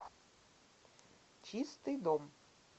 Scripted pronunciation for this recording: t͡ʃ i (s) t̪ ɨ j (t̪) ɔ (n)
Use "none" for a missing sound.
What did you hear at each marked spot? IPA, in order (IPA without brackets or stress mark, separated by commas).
s, d̪, m